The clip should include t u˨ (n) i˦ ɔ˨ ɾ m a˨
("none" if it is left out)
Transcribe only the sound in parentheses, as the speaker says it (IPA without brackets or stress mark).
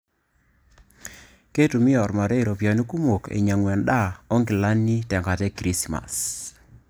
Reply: m